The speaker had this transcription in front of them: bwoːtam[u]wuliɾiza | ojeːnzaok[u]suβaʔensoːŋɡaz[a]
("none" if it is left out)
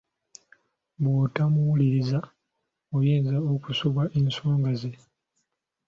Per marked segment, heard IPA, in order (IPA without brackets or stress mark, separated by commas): u, u, e